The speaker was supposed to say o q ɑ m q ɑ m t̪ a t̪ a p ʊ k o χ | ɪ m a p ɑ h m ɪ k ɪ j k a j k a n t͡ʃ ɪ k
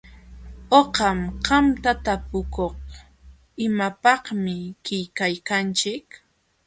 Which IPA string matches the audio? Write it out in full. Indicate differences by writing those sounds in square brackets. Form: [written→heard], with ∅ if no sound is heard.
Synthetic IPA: o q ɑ m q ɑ m t̪ a t̪ a p ʊ k o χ | ɪ m a p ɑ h m ɪ k ɪ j k a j k a n t͡ʃ ɪ k